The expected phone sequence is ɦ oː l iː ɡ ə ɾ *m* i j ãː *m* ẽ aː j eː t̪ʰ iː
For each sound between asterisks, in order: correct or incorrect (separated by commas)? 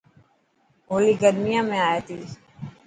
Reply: correct, correct